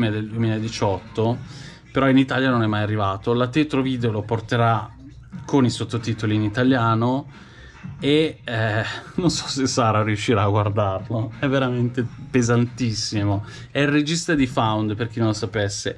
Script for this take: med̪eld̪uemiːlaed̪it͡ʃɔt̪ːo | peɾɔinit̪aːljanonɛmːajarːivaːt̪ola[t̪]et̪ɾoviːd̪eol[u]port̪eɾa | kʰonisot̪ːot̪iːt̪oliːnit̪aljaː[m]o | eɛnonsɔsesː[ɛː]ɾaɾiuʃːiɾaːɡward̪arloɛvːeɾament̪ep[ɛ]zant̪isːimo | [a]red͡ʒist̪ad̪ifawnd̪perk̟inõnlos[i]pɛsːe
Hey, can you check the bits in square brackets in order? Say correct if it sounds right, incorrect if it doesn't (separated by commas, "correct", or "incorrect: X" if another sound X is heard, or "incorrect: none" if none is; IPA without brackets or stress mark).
correct, incorrect: o, incorrect: n, incorrect: aː, incorrect: e, incorrect: ɛ, incorrect: a